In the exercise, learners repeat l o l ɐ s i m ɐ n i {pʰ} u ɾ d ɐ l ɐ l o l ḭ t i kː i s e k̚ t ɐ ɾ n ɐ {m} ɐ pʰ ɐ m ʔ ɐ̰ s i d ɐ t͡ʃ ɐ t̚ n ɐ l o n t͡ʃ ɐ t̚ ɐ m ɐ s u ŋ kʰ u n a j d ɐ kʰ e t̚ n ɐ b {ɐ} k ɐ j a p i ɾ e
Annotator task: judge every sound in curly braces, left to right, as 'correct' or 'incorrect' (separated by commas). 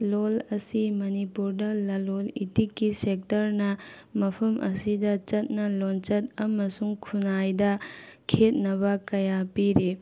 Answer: incorrect, correct, correct